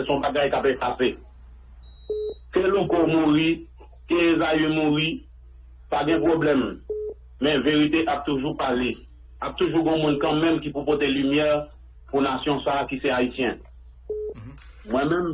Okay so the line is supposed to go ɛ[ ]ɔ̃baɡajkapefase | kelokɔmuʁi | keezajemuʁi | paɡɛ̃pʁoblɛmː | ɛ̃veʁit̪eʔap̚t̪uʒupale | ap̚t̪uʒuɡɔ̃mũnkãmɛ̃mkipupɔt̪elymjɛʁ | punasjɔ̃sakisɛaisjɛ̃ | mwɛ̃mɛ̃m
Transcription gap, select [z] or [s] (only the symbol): s